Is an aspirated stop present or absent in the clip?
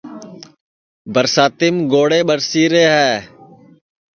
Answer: absent